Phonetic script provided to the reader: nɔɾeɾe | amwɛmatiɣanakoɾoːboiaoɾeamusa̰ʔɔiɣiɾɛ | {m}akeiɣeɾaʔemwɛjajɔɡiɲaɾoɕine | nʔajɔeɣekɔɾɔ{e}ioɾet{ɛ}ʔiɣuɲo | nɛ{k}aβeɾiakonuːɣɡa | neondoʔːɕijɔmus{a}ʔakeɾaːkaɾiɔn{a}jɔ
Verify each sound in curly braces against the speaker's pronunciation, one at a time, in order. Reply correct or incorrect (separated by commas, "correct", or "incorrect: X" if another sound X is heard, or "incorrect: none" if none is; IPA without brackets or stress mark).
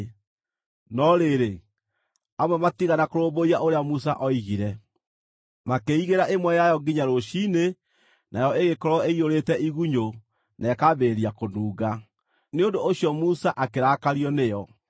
correct, correct, correct, correct, correct, incorrect: e